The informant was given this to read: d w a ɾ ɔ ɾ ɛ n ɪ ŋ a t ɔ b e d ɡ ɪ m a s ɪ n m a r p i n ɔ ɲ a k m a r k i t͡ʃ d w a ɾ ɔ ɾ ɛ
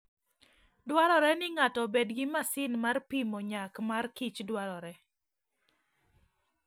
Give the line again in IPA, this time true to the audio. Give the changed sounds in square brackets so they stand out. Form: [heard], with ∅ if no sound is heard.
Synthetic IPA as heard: d w a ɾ ɔ ɾ ɛ n ɪ ŋ a t ɔ b e d ɡ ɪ m a s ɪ n m a r p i [m] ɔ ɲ a k m a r k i t͡ʃ d w a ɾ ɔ ɾ ɛ